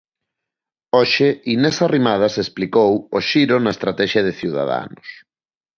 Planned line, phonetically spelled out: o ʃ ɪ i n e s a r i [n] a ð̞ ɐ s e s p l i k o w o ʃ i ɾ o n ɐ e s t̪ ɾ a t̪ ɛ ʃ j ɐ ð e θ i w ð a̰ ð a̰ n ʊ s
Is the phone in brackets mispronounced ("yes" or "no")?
yes